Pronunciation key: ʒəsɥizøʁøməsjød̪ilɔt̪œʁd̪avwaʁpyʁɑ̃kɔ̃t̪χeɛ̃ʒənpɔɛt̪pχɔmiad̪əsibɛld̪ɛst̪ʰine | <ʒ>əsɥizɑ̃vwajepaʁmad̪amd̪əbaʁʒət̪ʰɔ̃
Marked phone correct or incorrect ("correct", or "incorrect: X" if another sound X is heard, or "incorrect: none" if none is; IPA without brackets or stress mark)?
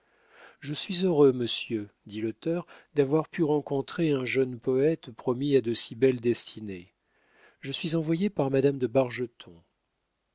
correct